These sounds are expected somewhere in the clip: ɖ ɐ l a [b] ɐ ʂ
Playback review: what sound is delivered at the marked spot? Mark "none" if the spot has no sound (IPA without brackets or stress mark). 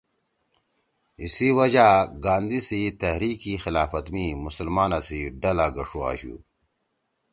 ɡ